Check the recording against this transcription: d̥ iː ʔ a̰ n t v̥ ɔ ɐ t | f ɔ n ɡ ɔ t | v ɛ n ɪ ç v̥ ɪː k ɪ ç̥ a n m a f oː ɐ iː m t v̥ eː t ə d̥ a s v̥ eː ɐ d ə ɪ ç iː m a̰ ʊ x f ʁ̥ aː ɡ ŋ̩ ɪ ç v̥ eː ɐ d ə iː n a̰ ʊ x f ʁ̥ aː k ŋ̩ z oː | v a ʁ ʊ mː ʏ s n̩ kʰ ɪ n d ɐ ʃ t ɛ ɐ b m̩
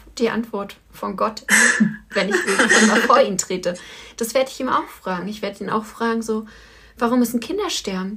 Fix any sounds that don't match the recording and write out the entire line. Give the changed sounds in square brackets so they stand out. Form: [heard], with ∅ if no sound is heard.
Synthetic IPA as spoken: d̥ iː ʔ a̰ n t v̥ ɔ ɐ t | f ɔ n ɡ ɔ t | v ɛ n ɪ ç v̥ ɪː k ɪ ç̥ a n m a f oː ɐ iː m t [ʁ̥] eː t ə d̥ a s v̥ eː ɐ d ə ɪ ç iː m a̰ ʊ x f ʁ̥ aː ɡ ŋ̩ ɪ ç v̥ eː ɐ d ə iː n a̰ ʊ x f ʁ̥ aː [ɡ] ŋ̩ z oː | v a ʁ ʊ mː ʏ s n̩ kʰ ɪ n d ɐ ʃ t ɛ ɐ b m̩